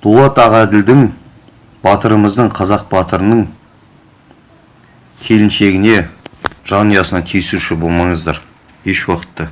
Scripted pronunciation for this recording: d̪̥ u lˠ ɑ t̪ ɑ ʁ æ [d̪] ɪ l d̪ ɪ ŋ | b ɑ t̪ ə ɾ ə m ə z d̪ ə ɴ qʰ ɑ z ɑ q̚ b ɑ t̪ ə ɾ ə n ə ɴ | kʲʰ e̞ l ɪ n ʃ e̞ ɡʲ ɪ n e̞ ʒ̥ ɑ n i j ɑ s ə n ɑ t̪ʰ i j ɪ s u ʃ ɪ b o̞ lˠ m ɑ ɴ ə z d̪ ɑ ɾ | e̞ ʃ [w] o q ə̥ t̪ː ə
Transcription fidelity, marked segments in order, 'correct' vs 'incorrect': correct, correct

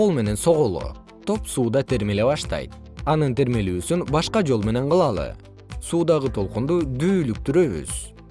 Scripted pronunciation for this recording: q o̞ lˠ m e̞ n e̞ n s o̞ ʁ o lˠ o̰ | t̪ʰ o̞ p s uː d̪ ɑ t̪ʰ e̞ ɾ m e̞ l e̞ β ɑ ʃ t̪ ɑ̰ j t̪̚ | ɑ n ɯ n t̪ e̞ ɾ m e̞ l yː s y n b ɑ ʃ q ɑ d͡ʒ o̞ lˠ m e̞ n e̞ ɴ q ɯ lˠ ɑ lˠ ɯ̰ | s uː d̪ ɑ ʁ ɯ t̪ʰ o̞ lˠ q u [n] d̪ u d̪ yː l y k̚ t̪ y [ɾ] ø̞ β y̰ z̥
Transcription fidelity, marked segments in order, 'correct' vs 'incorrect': correct, correct

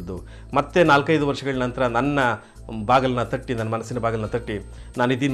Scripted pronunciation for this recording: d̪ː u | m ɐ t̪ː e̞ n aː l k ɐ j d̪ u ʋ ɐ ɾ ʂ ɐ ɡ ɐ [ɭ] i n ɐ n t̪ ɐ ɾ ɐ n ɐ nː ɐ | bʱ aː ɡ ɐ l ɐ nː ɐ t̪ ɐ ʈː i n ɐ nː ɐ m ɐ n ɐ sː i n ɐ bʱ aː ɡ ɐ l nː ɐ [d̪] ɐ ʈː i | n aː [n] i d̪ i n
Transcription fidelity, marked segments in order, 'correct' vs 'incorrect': correct, incorrect: t̪, correct

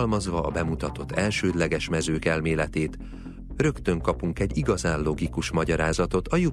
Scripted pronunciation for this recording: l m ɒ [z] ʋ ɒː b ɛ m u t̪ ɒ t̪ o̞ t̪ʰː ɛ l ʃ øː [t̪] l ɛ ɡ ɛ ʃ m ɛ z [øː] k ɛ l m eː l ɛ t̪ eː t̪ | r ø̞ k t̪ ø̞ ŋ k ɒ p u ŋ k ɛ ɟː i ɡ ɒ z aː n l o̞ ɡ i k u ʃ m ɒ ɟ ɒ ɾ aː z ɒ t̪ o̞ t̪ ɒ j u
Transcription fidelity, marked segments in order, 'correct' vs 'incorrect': correct, incorrect: d̪, correct

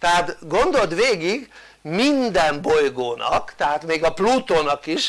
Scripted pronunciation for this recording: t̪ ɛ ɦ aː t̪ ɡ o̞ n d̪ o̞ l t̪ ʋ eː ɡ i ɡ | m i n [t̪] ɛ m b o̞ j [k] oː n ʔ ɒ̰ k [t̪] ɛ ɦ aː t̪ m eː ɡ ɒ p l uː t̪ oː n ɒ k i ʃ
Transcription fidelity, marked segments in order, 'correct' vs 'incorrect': incorrect: d̪, incorrect: ɡ, correct

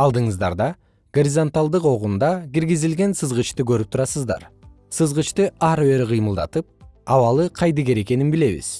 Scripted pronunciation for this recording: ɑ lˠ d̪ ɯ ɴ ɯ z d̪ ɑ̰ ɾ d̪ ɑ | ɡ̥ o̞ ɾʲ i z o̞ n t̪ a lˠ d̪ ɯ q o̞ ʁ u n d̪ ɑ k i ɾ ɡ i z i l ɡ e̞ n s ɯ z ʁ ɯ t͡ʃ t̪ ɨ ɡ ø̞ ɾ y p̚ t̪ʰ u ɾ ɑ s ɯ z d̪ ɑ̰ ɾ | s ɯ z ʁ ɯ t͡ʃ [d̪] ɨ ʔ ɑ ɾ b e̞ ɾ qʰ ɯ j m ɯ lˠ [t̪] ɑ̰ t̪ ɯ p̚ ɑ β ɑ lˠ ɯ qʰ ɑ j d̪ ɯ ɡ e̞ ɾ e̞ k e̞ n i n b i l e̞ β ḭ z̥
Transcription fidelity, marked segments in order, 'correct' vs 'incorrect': incorrect: t̪, incorrect: d̪

